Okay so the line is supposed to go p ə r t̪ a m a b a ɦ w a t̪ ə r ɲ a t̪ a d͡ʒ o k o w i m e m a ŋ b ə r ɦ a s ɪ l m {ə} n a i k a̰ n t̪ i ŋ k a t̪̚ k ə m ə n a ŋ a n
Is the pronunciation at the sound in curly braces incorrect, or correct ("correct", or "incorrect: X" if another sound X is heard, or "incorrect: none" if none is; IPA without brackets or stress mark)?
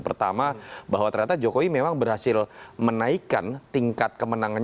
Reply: correct